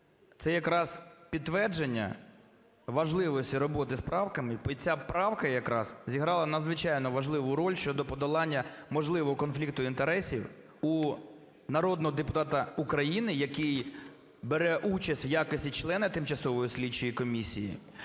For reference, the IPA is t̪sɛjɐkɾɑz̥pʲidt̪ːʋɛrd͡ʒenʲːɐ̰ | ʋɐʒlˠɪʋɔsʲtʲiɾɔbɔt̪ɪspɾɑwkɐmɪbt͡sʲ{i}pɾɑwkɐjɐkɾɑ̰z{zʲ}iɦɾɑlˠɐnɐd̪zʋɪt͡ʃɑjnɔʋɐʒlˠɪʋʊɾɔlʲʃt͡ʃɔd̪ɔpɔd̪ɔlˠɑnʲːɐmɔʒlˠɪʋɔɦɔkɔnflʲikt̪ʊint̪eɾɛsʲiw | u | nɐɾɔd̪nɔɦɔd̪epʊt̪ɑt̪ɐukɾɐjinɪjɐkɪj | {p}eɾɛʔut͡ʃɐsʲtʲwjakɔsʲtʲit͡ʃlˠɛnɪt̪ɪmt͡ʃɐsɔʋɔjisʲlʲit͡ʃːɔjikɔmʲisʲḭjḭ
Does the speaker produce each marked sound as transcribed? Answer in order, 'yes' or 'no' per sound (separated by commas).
no, yes, no